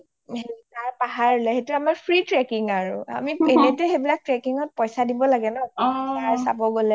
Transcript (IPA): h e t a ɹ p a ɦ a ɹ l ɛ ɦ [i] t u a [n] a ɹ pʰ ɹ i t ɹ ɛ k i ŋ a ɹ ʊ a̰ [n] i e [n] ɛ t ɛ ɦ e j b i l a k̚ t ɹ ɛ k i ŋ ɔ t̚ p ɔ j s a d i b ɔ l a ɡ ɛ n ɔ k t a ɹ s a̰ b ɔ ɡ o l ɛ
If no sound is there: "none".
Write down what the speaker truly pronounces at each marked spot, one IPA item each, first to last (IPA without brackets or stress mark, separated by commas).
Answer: e, m, m, n